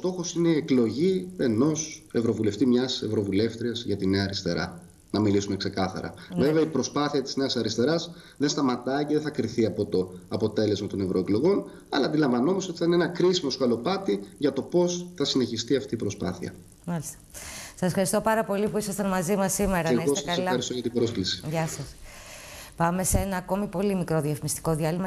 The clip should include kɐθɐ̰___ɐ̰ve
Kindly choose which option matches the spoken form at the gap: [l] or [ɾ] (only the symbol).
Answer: ɾ